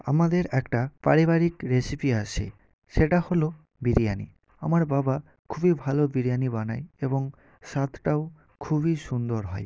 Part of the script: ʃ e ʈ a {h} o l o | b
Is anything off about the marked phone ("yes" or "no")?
no